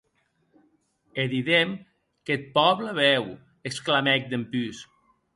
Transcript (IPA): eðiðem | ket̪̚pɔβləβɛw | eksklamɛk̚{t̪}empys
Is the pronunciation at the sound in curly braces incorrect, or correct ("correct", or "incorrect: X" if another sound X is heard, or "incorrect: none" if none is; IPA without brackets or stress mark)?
incorrect: d̪